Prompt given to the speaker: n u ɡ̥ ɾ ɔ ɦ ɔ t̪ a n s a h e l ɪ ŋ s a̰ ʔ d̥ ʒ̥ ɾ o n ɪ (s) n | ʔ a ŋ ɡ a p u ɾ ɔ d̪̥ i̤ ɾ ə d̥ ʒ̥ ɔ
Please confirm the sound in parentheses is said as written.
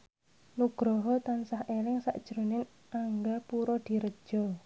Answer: no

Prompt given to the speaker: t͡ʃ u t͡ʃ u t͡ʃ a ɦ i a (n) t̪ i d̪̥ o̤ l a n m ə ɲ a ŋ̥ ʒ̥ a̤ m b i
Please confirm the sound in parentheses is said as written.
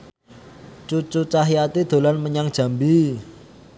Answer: no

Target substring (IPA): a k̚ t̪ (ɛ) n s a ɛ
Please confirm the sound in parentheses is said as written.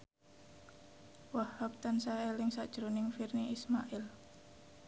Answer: no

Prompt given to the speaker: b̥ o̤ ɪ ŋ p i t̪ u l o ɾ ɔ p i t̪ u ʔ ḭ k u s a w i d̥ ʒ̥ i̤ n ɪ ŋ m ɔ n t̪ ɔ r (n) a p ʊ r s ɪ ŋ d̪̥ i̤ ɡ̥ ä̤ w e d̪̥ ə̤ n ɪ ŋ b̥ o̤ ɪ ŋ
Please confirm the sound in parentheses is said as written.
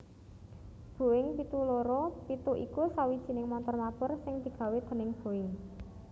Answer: no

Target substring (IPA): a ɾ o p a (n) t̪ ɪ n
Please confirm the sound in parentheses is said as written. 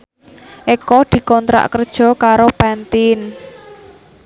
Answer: yes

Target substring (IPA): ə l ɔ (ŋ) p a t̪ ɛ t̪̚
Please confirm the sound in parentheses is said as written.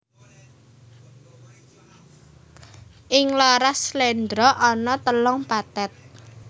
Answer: yes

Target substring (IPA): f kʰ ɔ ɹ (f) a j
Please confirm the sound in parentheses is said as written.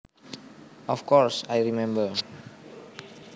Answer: no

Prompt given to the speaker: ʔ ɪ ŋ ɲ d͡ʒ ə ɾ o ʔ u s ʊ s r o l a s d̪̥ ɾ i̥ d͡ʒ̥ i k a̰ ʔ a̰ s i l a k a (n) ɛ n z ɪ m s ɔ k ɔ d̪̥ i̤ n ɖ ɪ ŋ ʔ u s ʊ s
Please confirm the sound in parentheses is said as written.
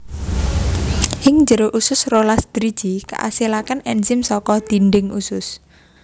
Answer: yes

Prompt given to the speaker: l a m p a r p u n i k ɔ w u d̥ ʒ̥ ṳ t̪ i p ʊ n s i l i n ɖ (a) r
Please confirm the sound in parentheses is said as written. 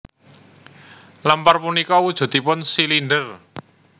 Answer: no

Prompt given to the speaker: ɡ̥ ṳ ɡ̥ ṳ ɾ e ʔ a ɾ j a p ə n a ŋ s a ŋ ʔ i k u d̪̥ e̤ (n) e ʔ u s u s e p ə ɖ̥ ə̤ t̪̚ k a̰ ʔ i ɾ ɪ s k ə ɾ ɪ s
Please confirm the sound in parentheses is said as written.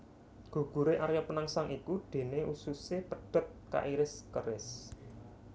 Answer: yes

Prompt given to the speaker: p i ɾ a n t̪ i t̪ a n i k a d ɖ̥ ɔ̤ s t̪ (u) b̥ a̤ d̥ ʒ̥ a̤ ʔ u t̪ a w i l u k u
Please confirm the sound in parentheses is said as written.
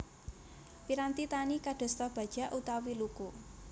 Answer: no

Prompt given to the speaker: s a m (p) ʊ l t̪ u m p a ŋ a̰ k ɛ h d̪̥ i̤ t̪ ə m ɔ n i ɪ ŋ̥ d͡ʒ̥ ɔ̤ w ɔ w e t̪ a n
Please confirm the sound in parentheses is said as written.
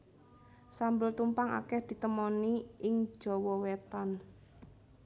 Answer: no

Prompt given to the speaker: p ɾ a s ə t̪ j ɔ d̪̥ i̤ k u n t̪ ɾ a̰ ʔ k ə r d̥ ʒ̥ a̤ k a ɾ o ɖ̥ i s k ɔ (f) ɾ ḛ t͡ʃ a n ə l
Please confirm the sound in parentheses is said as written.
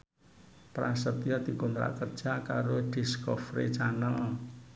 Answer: yes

